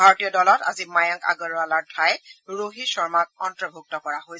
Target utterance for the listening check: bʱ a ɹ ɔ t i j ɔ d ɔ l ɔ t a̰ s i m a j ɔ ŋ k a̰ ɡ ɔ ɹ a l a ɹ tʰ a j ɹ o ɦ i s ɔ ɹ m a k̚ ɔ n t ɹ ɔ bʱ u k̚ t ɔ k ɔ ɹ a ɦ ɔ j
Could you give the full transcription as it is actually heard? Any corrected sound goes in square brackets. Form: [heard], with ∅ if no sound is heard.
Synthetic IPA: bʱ a ɹ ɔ t i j ɔ d ɔ l ɔ t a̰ [z] i m a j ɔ ŋ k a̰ ɡ ɔ ɹ a l a ɹ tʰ a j ɹ o ɦ i s ɔ ɹ m a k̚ ɔ n t ɹ ɔ bʱ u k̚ t ɔ k ɔ ɹ a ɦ [o] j